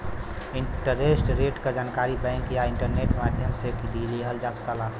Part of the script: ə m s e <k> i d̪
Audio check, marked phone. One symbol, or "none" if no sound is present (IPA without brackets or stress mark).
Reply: k